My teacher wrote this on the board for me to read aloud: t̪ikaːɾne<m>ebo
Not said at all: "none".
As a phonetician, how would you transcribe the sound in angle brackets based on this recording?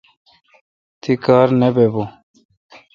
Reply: b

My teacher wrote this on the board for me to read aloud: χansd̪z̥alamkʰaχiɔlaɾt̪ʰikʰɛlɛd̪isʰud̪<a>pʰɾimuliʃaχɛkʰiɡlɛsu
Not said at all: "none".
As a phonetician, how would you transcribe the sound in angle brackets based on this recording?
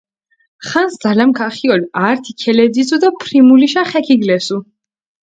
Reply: a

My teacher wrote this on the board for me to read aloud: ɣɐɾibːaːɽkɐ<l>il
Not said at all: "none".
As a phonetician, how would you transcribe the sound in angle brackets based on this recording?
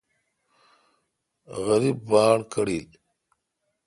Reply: ɽ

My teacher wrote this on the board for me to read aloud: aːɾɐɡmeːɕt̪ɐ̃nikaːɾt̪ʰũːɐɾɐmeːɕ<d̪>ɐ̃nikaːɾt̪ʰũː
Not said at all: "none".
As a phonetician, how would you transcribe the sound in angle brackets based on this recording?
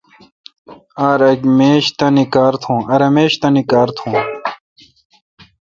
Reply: t̪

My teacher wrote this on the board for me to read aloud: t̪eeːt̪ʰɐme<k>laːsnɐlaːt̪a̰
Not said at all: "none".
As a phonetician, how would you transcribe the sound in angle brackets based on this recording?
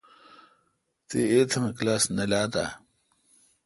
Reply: k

